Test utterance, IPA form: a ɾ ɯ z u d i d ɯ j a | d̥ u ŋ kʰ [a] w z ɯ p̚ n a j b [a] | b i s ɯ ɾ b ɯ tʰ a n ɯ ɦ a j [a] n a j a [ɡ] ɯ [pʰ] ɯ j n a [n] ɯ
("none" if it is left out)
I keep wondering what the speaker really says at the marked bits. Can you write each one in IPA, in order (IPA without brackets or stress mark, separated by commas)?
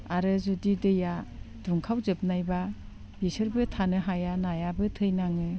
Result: a, a, a, b, tʰ, ŋ